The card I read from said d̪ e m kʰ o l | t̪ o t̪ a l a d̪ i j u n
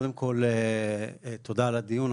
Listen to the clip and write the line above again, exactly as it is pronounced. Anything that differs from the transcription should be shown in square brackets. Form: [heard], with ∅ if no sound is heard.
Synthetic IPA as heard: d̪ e m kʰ o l | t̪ o [d̪] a l a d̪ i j u n